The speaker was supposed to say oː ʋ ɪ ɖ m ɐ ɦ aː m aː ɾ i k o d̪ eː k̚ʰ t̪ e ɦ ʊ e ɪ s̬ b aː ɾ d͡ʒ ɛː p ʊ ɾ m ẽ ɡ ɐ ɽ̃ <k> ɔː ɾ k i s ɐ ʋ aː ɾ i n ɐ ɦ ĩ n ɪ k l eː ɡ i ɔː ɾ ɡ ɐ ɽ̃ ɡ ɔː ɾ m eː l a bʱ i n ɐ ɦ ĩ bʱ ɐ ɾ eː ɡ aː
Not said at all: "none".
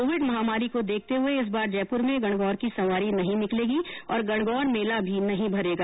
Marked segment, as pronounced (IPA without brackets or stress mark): ɡ